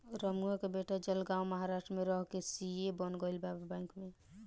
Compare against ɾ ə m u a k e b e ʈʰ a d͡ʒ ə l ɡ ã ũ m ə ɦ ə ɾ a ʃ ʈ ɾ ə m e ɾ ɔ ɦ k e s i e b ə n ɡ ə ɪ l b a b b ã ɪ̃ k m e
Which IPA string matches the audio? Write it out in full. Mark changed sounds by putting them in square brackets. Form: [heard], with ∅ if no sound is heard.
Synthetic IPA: ɾ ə m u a k e b e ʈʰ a d͡ʒ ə l ɡ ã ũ m ə ɦ [a] ɾ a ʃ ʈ ɾ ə m e ɾ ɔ ɦ k e s i e b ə n ɡ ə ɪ l b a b b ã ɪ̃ k m e